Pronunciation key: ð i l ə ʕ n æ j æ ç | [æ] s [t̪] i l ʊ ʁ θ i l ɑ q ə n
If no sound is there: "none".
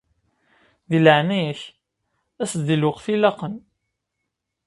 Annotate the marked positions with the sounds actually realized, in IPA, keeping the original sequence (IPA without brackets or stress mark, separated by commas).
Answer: æ, d̪